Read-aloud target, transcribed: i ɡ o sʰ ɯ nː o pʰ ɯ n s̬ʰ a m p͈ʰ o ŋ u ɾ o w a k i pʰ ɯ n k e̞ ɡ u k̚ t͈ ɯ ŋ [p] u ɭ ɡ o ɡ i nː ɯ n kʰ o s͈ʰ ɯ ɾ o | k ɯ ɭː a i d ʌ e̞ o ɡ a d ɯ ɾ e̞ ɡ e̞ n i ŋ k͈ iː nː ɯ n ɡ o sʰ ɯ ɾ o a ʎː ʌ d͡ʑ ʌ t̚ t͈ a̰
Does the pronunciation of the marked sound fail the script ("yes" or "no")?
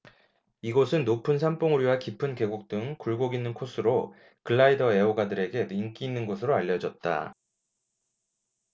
yes